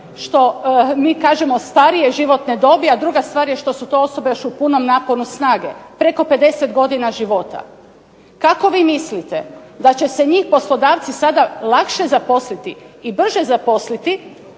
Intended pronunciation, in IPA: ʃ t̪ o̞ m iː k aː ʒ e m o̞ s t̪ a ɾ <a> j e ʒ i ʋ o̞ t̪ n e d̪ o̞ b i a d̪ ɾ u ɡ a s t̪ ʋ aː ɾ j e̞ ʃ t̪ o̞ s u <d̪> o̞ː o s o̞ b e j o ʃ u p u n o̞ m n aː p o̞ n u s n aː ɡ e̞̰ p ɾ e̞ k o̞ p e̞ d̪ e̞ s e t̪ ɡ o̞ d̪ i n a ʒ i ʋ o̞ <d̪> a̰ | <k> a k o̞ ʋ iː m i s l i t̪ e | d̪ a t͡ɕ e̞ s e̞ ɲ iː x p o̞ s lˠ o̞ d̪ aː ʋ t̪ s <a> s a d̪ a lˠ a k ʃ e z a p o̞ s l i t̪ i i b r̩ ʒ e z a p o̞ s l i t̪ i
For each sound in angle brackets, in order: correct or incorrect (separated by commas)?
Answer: incorrect, incorrect, incorrect, correct, incorrect